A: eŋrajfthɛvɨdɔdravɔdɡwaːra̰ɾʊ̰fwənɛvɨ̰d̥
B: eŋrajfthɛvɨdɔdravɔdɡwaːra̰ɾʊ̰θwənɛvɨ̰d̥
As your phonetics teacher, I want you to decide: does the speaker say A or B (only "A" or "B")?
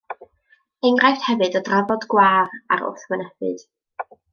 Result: B